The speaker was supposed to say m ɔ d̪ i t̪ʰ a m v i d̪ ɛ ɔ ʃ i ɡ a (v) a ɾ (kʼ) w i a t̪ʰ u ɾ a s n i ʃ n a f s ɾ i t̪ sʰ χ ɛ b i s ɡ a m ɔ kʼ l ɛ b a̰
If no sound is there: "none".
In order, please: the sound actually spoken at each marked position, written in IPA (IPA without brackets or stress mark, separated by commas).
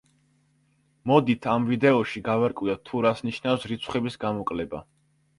v, kʼ